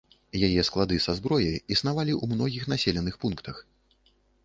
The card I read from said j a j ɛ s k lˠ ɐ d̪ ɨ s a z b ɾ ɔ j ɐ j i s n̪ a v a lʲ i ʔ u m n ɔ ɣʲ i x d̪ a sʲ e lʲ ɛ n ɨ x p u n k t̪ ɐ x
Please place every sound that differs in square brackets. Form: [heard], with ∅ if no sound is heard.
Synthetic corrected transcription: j a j ɛ s k lˠ [a] d̪ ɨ s a z b ɾ ɔ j ɐ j i s n̪ a v a lʲ i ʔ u m n ɔ ɣʲ i x [n̪] a sʲ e lʲ ɛ n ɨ x p u n k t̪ ɐ x